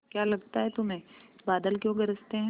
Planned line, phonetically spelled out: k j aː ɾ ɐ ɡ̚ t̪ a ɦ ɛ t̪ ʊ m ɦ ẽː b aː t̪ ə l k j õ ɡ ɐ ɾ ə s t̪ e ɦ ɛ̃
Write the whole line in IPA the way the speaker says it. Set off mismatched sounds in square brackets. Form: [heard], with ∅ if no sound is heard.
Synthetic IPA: k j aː [l] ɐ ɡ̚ t̪ a ɦ ɛ t̪ ʊ m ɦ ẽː b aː [d̪] ə l k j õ ɡ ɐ ɾ ə s t̪ e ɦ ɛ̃